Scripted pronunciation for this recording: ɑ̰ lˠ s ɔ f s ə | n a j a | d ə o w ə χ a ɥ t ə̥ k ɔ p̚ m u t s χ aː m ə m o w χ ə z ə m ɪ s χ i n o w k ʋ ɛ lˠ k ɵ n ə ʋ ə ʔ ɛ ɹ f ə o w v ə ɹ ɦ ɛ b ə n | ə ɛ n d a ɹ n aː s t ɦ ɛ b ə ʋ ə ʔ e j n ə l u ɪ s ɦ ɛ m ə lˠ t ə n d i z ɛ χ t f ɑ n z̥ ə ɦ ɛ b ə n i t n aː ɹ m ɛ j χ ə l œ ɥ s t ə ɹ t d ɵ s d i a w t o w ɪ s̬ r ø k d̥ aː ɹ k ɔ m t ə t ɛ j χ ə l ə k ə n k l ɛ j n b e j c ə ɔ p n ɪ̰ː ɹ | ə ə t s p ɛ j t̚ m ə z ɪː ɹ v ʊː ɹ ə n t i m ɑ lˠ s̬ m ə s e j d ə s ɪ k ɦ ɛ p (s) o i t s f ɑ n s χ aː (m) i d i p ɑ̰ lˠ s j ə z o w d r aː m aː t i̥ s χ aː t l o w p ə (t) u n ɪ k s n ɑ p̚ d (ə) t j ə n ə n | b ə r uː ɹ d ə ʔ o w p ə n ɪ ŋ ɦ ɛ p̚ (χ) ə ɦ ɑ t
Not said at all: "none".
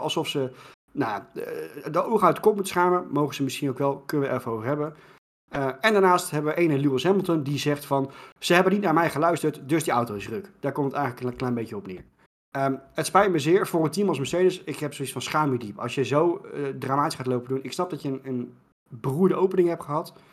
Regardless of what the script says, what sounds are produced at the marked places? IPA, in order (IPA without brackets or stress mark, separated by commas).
s, m, d, ɑ, χ